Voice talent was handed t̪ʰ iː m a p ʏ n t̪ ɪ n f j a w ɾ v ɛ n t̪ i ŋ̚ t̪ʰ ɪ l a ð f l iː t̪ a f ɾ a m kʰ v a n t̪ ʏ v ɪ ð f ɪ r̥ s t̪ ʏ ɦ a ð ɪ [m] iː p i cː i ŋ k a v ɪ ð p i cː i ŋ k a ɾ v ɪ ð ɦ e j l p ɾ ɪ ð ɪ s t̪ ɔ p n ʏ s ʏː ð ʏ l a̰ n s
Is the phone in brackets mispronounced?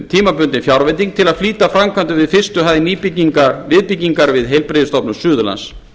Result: yes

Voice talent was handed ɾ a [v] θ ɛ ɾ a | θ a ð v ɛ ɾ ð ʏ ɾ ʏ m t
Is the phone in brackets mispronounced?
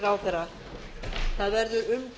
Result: yes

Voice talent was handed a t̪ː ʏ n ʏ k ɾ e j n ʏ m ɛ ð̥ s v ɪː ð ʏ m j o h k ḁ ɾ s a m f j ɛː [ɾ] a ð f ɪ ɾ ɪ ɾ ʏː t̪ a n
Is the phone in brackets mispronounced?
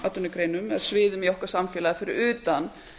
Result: yes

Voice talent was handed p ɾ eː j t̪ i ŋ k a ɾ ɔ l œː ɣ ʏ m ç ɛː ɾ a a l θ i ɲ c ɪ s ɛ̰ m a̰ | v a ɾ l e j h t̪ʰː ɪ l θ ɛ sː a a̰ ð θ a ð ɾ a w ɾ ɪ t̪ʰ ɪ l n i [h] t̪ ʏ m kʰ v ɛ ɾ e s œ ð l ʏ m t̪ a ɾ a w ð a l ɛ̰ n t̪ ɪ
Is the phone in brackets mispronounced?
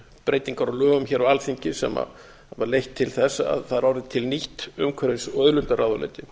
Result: no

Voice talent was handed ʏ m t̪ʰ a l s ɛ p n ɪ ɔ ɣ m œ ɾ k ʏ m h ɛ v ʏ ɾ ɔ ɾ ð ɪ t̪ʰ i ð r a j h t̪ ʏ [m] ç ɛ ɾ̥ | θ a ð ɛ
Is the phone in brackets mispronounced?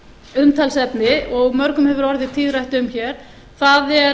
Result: no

